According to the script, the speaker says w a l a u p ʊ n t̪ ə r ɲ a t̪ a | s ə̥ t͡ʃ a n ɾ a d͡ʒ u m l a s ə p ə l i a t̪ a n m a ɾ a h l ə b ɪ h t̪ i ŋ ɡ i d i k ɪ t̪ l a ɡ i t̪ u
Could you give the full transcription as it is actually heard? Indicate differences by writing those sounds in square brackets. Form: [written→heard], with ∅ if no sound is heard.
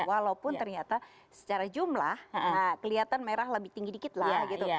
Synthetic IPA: w a l a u p ʊ n t̪ ə r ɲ a t̪ a | s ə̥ t͡ʃ a [n→∅] ɾ a d͡ʒ u m l a [s→h] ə [p→k] ə l i a t̪ a n m [a→e] ɾ a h l ə b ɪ h t̪ i ŋ ɡ i d i k ɪ t̪ l a ɡ i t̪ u

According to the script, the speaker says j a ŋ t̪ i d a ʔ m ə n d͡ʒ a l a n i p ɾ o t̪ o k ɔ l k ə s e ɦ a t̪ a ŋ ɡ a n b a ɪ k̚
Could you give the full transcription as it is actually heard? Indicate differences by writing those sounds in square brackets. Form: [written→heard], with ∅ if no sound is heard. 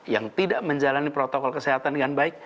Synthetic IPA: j a ŋ t̪ i d a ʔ m ə [n→ɲ] d͡ʒ a l a n i p ɾ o t̪ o k ɔ l k ə s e ɦ a t̪ a [ŋ→n] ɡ a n b a ɪ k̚

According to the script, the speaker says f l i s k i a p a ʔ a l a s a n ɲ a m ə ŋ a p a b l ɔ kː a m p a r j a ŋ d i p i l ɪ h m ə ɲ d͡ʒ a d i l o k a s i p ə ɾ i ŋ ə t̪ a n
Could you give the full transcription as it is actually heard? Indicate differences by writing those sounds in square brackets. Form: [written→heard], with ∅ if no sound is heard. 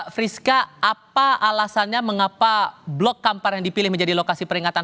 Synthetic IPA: f [l→ɾ] i s k [i→a] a p a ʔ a l a s a n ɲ a m ə ŋ a p a b l ɔ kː a m p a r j a ŋ d i p i l ɪ h m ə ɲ d͡ʒ a d i l o k a s i p ə ɾ i ŋ [ə→a] t̪ a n

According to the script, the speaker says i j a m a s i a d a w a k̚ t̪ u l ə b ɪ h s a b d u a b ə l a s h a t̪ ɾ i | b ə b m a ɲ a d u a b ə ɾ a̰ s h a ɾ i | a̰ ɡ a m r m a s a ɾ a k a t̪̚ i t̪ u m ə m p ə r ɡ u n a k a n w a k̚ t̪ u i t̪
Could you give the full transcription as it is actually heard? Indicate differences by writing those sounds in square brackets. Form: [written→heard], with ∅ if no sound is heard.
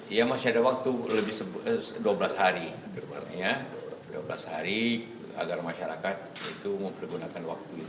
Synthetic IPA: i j a m a s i a d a w a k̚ t̪ u l ə b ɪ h s [a→ə] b d u a b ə l a s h a [t̪→∅] ɾ i | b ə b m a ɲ a d u a b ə [ɾ→l] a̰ s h a ɾ i | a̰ ɡ a [m→∅] r m a [s→ʃ] a ɾ a k a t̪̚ i t̪ u m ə m p ə r ɡ u n a k a n w a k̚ t̪ u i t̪

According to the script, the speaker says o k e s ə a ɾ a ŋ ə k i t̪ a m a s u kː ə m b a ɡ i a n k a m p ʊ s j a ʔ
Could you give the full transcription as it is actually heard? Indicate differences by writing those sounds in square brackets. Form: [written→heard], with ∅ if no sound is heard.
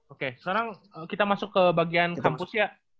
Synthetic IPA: o k e s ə a ɾ a ŋ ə k i t̪ a m a s [u→ʊ] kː ə [m→∅] b a ɡ i a n k a m p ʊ s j a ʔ

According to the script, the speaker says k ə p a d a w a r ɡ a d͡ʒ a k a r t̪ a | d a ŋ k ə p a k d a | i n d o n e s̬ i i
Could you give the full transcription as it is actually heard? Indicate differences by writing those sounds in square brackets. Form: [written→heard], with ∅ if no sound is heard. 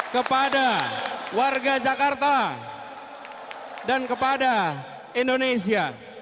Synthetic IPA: k ə p a d a w a r ɡ a d͡ʒ a k a r t̪ a | d a [ŋ→n] k ə p a [k→∅] d a | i n d o n e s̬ i [i→a]

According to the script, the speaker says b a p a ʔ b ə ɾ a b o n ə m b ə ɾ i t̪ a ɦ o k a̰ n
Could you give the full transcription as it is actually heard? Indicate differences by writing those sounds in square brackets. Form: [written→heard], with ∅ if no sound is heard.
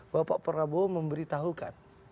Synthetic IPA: b a p a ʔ [b→p] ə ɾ a b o [n→m] ə m b ə ɾ i t̪ a ɦ [o→u] k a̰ n

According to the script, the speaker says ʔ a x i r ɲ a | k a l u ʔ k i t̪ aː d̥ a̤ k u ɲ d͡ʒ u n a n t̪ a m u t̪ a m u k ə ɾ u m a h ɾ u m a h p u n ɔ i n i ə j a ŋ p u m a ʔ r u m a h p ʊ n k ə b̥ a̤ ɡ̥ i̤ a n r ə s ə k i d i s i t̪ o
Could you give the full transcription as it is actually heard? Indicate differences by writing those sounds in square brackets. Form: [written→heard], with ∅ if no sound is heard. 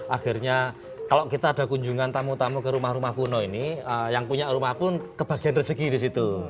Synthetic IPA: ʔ a x i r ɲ a | k a l [u→o] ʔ k i t̪ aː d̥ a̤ k u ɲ d͡ʒ u [n→ŋ] a n t̪ a m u t̪ a m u k ə ɾ u m a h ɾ u m a h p u n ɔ i n i ə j a ŋ p u [m→ɲ] a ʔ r u m a h p ʊ n k ə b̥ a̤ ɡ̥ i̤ a n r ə s ə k i d i s i t̪ [o→u]

